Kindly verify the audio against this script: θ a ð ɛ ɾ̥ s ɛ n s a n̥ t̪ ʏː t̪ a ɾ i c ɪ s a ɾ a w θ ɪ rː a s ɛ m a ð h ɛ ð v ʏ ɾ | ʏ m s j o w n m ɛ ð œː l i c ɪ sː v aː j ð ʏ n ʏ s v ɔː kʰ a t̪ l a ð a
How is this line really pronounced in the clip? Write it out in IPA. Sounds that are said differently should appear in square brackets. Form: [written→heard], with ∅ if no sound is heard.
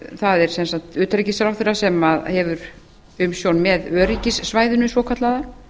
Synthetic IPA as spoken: θ a ð ɛ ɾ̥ s ɛ n s a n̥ t̪ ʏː t̪ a ɾ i c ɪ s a ɾ a w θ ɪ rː a s ɛ m a ð h ɛ [ð→∅] v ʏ ɾ | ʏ m s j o w n m ɛ ð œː [l→ɾ] i c ɪ sː v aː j ð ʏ n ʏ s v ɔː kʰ a t̪ l a ð a